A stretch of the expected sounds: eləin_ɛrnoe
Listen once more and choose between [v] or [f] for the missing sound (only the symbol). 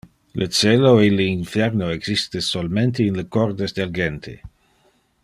f